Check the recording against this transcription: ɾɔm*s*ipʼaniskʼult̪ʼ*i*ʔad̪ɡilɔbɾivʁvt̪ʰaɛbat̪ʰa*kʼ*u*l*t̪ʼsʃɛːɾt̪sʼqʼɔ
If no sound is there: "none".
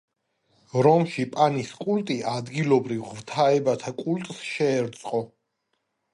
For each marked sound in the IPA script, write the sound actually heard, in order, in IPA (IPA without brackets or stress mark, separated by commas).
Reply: ʃ, i, kʼ, l